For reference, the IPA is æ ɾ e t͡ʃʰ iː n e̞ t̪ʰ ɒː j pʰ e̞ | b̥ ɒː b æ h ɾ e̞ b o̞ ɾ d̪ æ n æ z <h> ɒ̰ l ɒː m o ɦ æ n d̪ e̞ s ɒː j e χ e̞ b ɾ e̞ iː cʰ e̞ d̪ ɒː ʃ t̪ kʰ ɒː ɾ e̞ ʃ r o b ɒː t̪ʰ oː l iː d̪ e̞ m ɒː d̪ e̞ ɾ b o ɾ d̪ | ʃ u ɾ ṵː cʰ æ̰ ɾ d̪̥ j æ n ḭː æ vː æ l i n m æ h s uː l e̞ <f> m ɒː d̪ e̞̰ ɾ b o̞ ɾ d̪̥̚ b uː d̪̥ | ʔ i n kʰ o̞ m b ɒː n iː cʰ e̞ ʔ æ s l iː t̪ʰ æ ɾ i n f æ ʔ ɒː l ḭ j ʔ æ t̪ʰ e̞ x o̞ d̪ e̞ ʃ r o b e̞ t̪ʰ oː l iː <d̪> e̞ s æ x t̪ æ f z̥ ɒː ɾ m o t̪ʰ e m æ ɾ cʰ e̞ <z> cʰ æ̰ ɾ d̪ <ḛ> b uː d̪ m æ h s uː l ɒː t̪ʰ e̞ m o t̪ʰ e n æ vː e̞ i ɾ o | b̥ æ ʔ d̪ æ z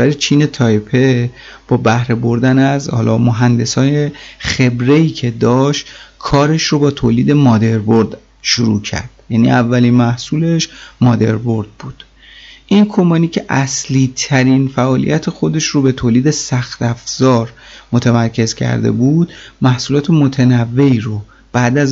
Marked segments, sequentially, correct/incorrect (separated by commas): correct, incorrect, correct, correct, correct